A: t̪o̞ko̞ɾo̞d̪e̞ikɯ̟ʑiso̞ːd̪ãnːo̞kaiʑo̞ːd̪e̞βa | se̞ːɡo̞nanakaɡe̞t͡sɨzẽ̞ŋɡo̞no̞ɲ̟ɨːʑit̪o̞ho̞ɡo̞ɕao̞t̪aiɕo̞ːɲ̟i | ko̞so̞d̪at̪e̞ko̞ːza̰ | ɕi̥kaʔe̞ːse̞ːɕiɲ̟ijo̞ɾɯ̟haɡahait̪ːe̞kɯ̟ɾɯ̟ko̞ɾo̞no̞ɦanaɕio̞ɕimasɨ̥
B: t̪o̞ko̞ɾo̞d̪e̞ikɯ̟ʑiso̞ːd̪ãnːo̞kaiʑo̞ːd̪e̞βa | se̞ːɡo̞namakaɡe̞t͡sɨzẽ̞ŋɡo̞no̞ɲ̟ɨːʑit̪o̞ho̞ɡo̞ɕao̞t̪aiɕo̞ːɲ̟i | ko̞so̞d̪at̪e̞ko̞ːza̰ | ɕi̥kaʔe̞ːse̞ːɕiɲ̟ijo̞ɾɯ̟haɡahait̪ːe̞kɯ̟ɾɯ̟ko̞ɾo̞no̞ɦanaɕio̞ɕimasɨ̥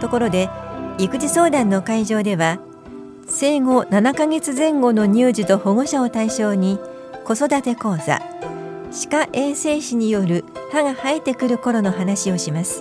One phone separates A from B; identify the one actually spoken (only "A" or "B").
A